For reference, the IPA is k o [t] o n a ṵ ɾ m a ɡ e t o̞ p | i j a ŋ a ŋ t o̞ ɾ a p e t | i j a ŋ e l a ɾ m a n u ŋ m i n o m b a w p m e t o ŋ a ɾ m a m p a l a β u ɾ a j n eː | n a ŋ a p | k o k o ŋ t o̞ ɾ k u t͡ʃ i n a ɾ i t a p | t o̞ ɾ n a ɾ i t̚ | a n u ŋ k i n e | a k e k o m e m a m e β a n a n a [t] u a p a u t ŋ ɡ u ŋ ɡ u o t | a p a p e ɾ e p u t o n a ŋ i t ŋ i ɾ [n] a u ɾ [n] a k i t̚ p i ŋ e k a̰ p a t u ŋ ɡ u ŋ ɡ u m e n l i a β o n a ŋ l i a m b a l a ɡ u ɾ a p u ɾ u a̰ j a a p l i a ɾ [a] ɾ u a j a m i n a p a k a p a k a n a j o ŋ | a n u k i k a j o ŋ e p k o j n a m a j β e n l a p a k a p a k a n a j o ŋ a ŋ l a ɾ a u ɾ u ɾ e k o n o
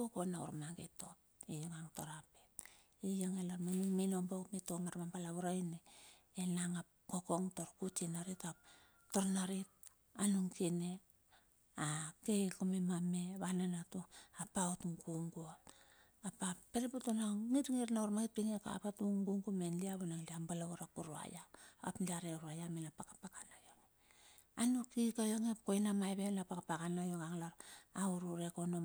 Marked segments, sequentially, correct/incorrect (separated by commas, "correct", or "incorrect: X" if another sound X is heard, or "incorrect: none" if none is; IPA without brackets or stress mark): incorrect: k, correct, correct, incorrect: m, incorrect: e